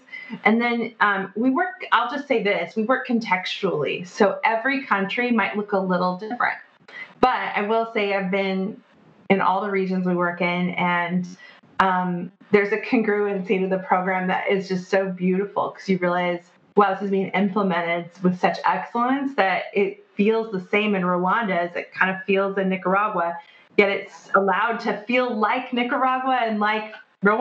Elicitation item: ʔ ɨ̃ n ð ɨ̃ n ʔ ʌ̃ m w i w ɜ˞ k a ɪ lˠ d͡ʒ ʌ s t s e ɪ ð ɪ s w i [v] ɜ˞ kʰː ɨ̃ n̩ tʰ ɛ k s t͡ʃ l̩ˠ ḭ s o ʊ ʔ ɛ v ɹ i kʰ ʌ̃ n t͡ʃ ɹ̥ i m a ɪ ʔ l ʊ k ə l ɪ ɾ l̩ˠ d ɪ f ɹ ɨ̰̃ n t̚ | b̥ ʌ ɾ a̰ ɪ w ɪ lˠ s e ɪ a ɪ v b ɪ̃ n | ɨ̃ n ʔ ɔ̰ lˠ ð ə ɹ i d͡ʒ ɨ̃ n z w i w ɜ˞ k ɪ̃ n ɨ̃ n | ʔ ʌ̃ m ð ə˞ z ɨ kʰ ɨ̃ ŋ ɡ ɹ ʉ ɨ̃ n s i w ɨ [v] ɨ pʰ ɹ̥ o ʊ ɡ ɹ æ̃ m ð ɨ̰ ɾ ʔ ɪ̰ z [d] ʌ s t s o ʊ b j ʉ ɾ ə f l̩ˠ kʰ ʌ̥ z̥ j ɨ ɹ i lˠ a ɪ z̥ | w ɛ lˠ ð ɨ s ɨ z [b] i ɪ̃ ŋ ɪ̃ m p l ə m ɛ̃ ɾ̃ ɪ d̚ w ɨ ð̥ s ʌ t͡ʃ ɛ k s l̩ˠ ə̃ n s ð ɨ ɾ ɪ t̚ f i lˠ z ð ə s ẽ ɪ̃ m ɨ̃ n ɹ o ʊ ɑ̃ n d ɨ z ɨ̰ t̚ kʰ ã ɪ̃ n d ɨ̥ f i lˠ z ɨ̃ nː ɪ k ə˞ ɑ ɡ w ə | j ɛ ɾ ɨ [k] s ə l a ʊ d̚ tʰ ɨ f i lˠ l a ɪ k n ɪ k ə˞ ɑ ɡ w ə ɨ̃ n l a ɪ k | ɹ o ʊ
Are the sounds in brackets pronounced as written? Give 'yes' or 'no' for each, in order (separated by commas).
no, no, no, yes, no